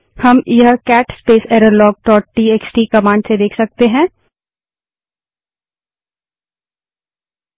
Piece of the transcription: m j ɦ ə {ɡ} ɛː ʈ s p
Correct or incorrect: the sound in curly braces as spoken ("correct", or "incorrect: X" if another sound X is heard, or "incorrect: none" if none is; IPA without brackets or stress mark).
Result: incorrect: k